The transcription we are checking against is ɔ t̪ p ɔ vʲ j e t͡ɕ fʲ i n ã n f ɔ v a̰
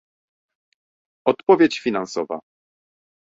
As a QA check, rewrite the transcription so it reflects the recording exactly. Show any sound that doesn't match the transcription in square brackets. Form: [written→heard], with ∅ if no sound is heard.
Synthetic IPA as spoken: ɔ t̪ p ɔ vʲ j e t͡ɕ fʲ i n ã n [f→s] ɔ v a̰